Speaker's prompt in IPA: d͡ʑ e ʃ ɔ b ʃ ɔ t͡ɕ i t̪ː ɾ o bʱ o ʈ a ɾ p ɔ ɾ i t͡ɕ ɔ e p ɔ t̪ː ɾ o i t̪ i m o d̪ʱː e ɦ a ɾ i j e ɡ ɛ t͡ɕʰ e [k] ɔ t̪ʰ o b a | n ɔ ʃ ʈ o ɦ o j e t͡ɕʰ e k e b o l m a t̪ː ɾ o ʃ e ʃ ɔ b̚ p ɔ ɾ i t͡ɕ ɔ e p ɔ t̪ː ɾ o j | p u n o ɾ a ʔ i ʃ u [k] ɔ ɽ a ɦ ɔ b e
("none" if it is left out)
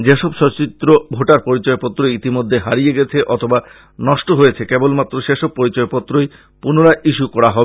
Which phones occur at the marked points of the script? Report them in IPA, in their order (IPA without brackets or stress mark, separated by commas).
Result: ʔ, k